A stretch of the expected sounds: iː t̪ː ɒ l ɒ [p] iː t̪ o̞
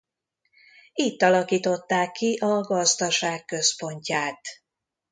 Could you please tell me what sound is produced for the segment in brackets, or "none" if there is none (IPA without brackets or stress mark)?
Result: k